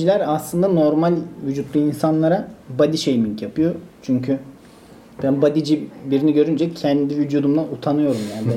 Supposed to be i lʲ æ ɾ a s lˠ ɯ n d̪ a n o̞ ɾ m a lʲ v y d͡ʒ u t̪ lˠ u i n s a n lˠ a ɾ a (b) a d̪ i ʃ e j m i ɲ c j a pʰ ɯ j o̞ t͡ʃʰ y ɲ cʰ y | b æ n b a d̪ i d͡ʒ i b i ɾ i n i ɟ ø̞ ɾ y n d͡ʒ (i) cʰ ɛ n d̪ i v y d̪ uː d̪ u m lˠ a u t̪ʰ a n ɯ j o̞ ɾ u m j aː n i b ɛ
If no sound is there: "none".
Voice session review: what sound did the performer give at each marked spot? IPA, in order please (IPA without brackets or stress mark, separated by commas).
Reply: b, ɛ